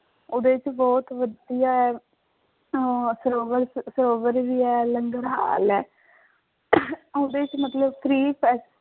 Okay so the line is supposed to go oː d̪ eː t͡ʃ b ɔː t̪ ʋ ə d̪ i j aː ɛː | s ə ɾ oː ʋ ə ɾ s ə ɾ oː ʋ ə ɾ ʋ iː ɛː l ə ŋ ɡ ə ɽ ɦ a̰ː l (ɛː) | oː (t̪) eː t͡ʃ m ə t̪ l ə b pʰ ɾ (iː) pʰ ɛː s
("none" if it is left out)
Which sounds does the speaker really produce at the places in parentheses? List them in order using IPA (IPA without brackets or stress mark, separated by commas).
ɛː, d̪, iː